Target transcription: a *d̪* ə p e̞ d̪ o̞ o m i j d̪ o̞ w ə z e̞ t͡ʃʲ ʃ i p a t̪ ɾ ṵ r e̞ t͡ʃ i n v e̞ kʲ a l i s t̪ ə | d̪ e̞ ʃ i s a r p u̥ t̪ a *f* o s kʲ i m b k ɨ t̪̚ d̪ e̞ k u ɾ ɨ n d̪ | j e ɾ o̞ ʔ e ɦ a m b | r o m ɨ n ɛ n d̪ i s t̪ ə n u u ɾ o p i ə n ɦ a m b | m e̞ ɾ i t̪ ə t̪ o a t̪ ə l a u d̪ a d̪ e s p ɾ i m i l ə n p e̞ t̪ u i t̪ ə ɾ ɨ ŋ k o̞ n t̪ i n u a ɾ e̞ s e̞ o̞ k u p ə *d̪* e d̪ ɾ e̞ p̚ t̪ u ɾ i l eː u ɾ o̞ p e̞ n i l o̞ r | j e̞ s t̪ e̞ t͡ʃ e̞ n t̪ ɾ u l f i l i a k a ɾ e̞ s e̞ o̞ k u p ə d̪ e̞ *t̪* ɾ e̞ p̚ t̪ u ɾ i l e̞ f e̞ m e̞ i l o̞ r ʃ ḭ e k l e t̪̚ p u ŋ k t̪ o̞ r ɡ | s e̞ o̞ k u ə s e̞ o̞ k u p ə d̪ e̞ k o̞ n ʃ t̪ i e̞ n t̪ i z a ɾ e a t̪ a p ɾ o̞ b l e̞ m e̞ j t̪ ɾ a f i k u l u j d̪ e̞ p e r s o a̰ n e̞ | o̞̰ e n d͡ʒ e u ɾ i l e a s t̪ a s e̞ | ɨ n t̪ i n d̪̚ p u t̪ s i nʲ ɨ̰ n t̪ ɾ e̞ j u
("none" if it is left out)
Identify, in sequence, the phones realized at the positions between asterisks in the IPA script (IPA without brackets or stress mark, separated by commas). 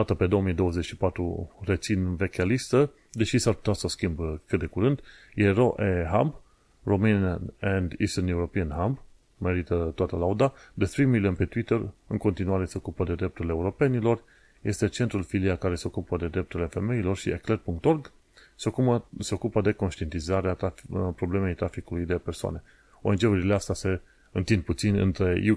t̪, s, d̪, d̪